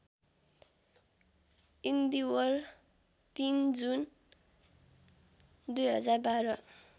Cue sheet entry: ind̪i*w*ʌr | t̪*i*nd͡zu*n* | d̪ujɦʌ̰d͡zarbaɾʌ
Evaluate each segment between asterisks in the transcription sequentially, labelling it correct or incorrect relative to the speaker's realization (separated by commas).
correct, correct, correct